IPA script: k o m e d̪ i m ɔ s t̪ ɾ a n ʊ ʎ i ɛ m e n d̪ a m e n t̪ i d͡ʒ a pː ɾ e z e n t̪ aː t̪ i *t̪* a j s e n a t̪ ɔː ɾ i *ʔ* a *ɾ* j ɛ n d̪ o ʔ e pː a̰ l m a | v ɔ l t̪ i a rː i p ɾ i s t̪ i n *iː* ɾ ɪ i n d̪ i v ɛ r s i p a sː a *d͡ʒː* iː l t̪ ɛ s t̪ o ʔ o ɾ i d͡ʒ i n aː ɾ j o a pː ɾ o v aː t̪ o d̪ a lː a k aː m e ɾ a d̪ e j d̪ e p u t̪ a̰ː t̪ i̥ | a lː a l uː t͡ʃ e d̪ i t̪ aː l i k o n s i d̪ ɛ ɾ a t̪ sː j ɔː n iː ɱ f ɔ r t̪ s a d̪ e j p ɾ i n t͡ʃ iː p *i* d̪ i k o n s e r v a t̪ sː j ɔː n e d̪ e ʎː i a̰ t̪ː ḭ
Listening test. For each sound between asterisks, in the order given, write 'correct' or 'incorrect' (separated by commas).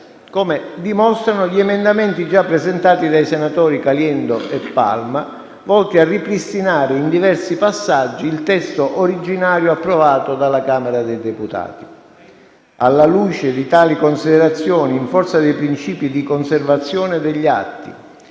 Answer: incorrect, incorrect, incorrect, incorrect, correct, correct